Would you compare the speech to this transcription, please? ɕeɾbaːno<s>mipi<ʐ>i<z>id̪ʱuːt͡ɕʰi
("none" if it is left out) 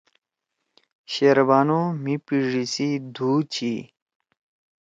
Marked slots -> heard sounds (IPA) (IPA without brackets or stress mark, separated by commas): none, ʐ, s